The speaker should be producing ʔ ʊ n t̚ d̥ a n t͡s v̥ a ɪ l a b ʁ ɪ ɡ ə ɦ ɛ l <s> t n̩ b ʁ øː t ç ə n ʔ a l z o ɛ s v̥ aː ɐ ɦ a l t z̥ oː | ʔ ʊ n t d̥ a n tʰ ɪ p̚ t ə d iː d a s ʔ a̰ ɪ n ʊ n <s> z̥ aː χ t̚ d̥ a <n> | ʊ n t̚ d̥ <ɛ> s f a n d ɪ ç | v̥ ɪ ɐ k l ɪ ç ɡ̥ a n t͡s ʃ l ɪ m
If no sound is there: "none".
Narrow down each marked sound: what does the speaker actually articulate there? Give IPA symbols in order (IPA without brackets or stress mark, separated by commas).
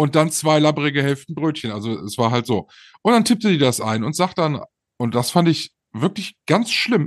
f, t, n, a